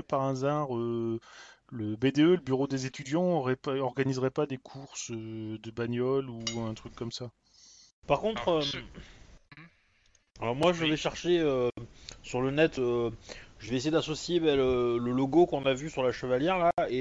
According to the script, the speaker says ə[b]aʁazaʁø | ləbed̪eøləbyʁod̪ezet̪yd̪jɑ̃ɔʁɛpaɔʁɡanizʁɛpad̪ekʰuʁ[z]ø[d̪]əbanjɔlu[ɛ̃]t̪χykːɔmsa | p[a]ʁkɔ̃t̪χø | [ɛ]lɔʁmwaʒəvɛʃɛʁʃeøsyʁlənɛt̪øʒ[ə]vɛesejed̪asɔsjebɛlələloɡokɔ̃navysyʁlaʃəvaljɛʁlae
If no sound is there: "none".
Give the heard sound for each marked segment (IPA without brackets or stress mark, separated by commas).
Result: p, s, d̪, ɛ̃, a, a, ə